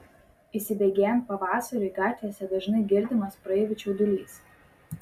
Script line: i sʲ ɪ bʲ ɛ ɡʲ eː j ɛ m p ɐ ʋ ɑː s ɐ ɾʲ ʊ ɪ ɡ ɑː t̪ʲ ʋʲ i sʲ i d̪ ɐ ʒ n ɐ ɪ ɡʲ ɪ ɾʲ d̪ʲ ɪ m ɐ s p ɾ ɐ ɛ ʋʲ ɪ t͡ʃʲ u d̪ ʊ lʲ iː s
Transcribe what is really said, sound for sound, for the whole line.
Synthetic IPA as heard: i sʲ ɪ bʲ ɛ ɡʲ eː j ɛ m p ɐ ʋ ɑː s ɐ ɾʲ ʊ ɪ ɡ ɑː t̪ʲ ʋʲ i sʲ ɛ d̪ ɐ ʒ n ɐ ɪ ɡʲ ɪ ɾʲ d̪ʲ ɪ m ɐ s p ɾ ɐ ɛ ʋʲ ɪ t͡ʃʲ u d̪ ʊ lʲ iː s